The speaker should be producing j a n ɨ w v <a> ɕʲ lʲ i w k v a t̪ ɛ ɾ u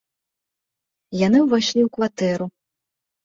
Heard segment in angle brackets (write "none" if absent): a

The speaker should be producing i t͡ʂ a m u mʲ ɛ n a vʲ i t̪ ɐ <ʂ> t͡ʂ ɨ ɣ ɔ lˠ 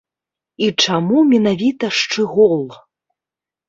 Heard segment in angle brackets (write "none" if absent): ʂ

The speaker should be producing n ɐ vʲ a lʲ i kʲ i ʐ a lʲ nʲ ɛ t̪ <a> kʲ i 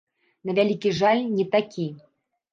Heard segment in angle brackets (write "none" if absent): a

